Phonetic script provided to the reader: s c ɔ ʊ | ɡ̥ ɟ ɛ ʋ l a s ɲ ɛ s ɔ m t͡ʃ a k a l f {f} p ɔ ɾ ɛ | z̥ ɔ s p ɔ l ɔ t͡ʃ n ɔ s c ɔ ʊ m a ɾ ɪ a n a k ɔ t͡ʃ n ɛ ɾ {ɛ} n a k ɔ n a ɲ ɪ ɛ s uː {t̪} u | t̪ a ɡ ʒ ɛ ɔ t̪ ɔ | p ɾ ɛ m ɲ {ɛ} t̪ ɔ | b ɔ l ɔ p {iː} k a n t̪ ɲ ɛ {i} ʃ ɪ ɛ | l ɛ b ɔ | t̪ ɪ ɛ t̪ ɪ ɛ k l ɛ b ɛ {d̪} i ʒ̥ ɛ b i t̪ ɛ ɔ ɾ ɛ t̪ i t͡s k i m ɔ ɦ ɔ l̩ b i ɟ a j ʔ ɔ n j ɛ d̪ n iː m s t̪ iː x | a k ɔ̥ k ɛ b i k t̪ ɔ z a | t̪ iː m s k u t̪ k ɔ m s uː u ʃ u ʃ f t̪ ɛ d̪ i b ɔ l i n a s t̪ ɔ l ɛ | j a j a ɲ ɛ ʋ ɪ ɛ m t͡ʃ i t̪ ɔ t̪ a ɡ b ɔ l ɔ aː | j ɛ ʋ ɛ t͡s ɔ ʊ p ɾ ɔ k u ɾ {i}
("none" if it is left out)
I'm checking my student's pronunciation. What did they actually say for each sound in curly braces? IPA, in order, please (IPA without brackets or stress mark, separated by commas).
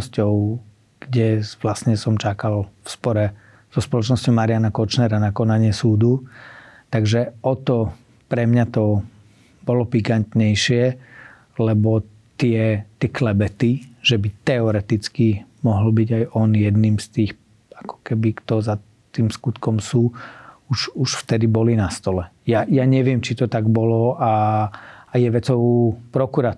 s, a, d̪, a, i, j, t̪, a